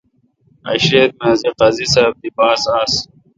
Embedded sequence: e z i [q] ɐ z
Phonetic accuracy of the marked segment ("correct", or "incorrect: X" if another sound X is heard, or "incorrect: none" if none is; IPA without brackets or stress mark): correct